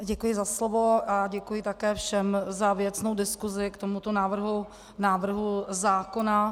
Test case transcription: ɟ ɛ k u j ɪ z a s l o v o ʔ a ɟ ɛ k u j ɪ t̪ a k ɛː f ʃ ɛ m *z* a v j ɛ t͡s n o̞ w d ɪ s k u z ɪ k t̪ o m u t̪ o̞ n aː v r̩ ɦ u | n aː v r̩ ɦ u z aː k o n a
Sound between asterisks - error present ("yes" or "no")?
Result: no